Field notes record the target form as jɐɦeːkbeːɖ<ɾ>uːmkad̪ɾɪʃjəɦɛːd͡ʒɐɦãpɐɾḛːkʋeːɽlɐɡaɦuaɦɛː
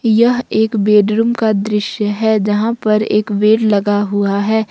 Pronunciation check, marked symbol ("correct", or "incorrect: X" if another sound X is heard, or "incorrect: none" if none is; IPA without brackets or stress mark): correct